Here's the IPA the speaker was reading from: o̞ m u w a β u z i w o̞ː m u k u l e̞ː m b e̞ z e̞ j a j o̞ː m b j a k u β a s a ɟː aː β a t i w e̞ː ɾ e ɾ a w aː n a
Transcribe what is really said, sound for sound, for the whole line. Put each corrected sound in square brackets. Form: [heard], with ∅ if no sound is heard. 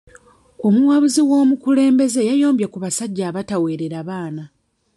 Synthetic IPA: o̞ m u w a β u z i w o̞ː m u k u l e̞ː m b e̞ z e̞ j a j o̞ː m b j a k u β a s a ɟː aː β a t [a] w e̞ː ɾ e ɾ a [β] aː n a